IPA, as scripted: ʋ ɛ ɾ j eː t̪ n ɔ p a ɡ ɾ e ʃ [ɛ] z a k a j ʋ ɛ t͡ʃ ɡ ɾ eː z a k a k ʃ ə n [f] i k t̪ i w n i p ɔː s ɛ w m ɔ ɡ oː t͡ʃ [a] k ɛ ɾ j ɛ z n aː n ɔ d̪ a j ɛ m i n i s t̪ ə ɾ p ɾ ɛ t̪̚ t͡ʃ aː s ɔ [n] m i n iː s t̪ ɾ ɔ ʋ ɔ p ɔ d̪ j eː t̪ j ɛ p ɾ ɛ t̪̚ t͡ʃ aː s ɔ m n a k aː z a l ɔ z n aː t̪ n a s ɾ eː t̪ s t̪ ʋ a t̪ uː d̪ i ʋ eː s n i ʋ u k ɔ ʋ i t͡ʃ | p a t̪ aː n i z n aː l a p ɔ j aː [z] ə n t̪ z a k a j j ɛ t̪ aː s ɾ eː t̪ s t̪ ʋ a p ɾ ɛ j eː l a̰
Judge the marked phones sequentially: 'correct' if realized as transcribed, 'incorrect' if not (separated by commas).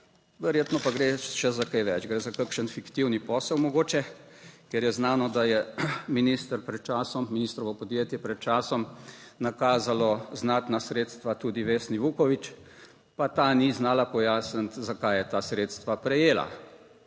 correct, correct, incorrect, incorrect, incorrect